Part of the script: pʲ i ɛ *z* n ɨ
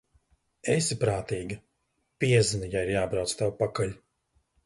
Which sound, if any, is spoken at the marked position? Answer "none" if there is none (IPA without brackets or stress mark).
z